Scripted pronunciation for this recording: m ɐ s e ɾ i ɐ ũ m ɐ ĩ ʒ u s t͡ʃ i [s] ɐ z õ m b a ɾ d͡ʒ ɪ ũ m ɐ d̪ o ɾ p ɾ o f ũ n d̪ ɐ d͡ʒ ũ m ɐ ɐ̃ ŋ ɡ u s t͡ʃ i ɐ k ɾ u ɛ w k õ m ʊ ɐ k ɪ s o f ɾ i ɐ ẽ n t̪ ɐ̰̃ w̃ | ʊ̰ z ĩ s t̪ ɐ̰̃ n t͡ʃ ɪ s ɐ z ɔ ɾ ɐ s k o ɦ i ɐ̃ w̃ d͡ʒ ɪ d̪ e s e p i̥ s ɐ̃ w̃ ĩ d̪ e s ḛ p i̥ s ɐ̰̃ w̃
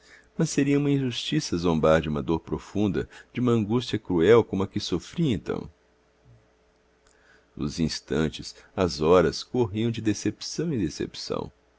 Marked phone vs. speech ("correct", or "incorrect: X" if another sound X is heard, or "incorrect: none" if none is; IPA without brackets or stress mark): correct